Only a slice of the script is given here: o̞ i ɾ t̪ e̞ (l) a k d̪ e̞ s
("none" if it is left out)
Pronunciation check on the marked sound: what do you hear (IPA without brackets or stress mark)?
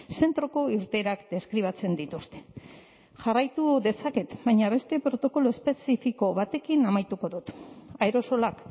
ɾ